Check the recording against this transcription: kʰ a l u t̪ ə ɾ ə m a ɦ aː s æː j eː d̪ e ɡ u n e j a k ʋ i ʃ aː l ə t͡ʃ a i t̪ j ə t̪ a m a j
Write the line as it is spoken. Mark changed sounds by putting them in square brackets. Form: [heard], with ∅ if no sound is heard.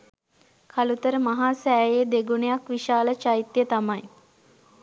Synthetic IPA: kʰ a l u t̪ ə ɾ ə m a ɦ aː s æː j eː d̪ e ɡ u n e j a k ʋ i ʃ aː l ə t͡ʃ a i t̪ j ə t̪ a m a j